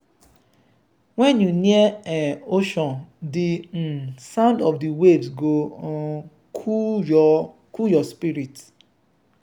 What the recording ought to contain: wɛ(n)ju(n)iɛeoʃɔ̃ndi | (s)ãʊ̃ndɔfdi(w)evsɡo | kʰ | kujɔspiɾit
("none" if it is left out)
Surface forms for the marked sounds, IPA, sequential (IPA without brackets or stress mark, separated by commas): n, n, s, w